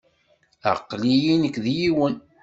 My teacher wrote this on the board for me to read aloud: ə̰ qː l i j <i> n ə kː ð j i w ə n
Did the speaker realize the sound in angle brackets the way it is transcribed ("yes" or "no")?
yes